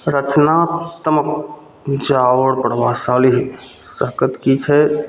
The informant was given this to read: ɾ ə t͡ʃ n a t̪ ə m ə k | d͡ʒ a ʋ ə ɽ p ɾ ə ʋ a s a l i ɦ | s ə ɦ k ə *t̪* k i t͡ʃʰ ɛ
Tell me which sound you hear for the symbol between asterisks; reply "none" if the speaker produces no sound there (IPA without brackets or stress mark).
t̪